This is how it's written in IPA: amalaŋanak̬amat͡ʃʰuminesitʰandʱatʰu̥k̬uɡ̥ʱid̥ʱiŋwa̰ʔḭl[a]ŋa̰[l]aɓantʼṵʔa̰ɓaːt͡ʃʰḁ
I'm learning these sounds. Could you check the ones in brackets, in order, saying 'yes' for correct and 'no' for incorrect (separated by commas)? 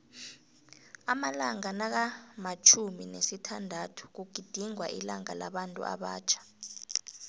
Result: yes, yes